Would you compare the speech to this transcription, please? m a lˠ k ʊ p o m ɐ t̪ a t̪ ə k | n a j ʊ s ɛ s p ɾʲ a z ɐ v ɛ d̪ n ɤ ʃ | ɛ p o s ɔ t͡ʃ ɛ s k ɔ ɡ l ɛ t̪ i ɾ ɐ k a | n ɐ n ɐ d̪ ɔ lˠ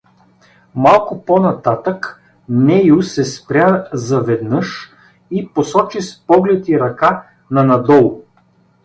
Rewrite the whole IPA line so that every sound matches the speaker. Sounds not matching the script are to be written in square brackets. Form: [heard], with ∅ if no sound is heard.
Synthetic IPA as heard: m a lˠ k ʊ p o [n] ɐ t̪ a t̪ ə k | n [ɛ] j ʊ s ɛ s p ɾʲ a z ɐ v ɛ d̪ n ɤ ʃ | [i] p o s ɔ t͡ʃ [i] s [p] ɔ ɡ l ɛ t̪ i ɾ ɐ k a | n ɐ n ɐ d̪ ɔ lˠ